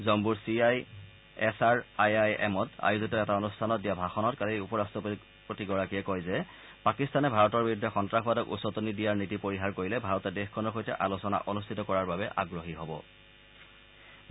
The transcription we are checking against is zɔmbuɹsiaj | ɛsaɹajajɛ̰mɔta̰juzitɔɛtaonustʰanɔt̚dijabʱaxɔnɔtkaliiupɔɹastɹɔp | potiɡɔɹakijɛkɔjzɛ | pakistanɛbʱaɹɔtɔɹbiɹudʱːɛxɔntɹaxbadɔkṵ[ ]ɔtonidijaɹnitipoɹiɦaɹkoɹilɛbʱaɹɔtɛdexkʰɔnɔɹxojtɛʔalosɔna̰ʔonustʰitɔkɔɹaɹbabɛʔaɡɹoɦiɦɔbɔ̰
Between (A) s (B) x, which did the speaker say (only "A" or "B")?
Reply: A